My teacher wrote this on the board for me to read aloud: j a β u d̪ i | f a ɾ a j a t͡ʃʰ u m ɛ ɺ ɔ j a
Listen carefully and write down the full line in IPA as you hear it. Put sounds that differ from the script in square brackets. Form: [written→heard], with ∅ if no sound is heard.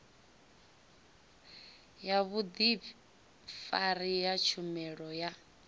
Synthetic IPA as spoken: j a β u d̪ i | f a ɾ [a→i] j a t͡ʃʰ u m ɛ ɺ ɔ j a